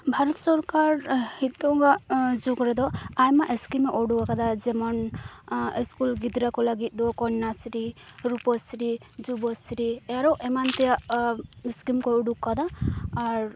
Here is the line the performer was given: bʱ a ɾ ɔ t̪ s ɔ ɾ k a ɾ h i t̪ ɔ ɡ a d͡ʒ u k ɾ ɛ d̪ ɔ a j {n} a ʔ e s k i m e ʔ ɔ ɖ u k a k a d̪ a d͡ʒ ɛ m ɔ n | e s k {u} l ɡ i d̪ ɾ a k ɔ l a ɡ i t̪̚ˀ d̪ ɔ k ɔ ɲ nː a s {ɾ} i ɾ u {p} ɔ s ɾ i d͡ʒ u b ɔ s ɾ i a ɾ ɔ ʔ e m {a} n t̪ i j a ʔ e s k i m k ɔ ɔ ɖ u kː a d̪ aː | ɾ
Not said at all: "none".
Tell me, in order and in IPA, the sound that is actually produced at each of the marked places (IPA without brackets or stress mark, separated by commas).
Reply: m, u, ɾ, p, a